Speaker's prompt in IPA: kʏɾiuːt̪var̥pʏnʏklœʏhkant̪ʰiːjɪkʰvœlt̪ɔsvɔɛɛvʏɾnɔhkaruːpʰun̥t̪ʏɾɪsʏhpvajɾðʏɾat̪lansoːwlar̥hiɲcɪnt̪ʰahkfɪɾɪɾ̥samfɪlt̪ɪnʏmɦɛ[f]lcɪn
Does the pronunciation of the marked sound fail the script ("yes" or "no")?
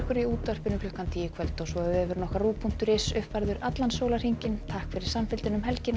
yes